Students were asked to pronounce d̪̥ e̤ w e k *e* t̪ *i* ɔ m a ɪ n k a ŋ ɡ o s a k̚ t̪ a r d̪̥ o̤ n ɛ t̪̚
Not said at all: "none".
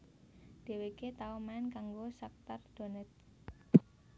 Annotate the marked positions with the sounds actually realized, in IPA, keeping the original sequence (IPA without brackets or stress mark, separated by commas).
e, a